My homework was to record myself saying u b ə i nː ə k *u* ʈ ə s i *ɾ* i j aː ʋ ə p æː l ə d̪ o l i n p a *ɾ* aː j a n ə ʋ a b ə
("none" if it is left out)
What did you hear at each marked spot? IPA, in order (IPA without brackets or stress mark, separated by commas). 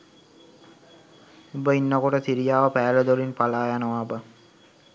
o, ɾ, l